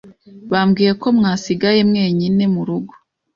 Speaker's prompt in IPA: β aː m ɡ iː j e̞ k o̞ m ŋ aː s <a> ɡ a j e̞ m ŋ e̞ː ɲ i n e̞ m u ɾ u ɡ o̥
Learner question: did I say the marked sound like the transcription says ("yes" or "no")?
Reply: no